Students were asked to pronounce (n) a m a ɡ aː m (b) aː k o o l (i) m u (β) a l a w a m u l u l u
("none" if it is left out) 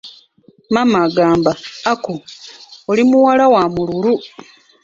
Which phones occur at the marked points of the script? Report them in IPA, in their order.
m, b, i, w

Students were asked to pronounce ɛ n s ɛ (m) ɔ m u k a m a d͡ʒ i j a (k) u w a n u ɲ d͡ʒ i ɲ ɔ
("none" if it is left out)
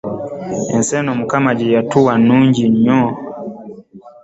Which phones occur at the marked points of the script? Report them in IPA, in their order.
n, t

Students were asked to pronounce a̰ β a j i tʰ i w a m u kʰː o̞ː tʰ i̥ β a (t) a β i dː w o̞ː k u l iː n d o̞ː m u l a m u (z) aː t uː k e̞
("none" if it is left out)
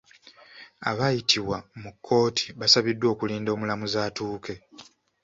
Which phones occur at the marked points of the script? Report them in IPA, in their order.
s, z

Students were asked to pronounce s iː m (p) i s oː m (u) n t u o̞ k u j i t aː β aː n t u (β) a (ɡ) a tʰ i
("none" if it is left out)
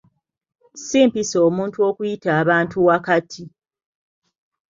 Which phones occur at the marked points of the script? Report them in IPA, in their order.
p, uː, w, k

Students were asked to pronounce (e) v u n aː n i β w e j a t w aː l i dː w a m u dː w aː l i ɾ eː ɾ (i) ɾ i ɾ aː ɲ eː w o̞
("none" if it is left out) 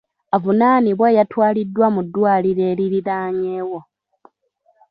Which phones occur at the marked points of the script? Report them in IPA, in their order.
a, i

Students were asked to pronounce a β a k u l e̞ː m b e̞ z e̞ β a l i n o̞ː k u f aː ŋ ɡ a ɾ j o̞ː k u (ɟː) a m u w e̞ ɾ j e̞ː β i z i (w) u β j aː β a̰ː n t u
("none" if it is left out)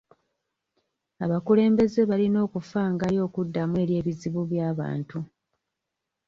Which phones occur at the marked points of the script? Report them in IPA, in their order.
dː, β

